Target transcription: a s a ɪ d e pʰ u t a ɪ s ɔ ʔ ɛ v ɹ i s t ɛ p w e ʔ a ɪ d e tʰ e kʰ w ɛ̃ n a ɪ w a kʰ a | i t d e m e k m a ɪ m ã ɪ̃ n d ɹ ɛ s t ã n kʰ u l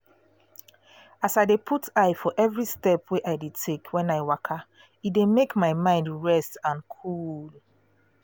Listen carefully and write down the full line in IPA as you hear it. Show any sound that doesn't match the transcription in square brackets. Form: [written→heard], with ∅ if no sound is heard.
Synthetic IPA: a s a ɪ d e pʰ u t a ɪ [s→f] ɔ ʔ ɛ v ɹ i s t ɛ p w e ʔ a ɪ d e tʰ e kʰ w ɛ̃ n a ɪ w a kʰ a | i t d e m e k m a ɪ m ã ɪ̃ n d ɹ ɛ s t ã n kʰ u l